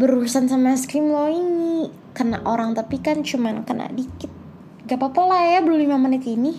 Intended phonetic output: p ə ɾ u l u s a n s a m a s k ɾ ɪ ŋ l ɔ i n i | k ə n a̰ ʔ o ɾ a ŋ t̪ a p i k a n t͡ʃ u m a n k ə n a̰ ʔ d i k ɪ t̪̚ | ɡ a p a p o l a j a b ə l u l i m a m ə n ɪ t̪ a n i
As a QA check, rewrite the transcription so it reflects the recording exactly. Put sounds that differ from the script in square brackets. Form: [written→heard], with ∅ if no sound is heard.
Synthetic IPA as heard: [p→b] ə ɾ u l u s a n s a m a s k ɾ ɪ [ŋ→m] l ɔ i n i | k ə n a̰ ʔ o ɾ a ŋ t̪ a p i k a n t͡ʃ u m a n k ə n a̰ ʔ d i k ɪ t̪̚ | ɡ a p a p o l a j a b ə l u l i m a m ə n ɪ t̪ [a→i] n i